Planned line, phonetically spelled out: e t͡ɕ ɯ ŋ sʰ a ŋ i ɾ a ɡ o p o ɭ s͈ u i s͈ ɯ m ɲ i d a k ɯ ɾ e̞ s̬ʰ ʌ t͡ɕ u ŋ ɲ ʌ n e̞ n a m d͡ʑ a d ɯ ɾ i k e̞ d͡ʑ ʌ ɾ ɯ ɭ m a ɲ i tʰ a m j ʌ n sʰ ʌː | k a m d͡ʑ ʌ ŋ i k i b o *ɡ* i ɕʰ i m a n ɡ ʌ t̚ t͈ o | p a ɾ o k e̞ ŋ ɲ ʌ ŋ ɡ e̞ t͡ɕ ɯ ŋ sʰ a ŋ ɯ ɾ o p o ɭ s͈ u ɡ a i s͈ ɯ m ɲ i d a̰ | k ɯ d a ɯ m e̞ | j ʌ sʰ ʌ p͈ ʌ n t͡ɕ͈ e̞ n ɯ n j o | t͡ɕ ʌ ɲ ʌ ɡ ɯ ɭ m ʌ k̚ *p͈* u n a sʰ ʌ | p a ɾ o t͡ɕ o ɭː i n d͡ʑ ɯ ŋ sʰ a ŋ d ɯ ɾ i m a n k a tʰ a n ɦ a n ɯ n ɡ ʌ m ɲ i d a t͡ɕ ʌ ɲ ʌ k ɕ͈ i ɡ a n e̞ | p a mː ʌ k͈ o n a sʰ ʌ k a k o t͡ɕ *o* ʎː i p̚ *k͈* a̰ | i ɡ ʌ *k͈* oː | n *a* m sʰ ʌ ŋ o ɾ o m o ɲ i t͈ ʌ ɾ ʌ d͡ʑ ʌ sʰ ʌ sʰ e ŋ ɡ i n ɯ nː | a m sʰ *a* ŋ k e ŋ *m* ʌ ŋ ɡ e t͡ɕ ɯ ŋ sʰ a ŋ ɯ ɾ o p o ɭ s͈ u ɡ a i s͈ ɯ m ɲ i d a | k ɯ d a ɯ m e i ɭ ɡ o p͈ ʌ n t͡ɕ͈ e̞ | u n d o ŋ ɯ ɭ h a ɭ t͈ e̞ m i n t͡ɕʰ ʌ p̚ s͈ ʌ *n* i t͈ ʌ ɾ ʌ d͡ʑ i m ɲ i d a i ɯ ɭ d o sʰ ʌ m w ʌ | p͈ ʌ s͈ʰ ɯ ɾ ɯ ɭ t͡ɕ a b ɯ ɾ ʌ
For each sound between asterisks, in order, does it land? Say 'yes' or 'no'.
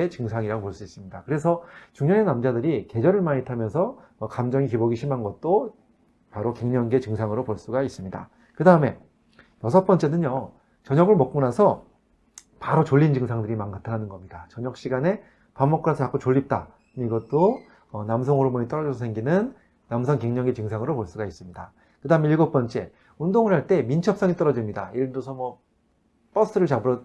yes, no, yes, no, no, yes, no, no, no

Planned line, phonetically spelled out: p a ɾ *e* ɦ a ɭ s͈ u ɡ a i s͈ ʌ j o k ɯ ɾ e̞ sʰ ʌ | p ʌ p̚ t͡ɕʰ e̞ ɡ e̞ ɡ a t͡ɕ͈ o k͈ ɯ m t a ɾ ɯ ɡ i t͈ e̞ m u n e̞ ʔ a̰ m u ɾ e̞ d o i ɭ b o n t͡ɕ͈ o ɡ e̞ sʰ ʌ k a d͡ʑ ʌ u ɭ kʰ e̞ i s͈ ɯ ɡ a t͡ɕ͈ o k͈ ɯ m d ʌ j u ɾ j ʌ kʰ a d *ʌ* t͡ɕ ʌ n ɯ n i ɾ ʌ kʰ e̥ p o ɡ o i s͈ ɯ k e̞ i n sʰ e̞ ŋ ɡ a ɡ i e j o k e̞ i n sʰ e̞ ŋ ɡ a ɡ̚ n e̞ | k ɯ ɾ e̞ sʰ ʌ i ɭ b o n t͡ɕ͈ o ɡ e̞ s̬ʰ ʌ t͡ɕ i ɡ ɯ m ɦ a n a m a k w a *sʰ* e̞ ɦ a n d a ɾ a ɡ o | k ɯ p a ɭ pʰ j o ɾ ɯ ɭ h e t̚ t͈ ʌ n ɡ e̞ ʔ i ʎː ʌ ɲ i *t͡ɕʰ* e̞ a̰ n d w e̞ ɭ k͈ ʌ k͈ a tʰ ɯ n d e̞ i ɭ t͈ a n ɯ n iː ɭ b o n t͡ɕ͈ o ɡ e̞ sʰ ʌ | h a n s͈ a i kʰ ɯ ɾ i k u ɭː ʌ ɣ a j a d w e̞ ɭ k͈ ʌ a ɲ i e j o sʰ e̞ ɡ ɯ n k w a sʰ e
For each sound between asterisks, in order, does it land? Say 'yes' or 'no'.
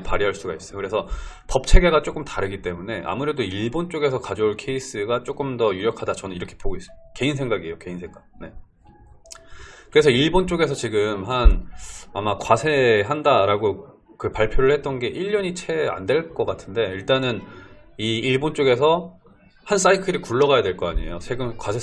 no, no, yes, yes

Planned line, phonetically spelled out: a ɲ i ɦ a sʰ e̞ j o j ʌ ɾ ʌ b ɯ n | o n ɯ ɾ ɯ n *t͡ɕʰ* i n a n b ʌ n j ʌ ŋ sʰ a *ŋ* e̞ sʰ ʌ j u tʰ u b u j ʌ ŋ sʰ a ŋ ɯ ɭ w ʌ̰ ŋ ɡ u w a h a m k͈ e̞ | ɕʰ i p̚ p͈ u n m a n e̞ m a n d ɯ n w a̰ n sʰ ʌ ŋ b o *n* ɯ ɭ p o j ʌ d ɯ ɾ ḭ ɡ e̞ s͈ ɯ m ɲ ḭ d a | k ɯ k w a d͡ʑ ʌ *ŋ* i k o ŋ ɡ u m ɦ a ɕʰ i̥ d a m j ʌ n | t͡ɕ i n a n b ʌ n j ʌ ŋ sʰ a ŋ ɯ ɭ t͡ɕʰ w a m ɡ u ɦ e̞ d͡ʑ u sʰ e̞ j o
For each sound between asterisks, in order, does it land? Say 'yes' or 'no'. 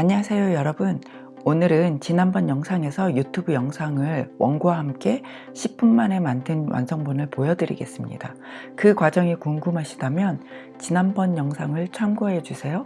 no, yes, yes, yes

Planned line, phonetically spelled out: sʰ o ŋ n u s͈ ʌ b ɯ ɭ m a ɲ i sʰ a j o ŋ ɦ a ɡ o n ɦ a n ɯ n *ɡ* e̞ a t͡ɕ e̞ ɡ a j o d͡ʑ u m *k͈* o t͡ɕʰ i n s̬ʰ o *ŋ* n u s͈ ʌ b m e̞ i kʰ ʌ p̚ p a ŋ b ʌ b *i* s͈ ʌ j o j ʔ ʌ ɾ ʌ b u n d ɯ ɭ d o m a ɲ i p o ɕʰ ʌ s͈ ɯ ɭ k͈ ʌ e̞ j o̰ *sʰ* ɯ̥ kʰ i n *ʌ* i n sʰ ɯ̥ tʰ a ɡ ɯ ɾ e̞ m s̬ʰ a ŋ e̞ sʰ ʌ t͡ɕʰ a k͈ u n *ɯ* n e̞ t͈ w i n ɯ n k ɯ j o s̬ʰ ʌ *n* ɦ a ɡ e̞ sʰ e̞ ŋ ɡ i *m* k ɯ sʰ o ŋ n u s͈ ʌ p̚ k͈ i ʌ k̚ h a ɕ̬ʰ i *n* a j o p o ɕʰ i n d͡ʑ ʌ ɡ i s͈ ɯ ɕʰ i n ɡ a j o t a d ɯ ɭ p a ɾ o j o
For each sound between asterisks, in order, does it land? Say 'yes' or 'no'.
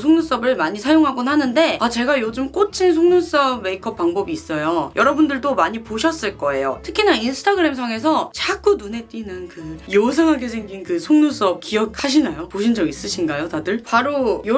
no, yes, yes, no, no, no, no, no, no, yes

